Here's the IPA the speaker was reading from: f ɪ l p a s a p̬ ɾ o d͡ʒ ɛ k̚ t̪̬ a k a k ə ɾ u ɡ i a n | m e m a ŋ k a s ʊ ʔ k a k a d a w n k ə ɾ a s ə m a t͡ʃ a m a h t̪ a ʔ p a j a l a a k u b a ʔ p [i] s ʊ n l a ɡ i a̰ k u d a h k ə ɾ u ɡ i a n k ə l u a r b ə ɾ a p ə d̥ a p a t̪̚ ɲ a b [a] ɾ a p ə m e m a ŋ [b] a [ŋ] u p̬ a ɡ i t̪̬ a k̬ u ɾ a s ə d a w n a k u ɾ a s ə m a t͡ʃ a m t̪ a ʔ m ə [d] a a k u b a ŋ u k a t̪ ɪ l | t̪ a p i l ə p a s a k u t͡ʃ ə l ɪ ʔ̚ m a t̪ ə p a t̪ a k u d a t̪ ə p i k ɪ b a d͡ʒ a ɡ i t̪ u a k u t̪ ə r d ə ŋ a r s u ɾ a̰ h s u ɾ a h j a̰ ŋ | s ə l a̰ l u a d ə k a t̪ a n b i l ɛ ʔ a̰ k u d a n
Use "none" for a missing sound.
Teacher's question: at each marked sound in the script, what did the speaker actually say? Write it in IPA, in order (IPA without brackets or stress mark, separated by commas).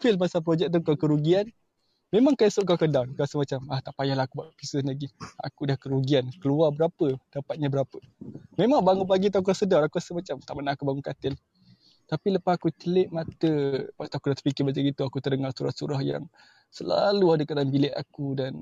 i, ə, b, ŋ, n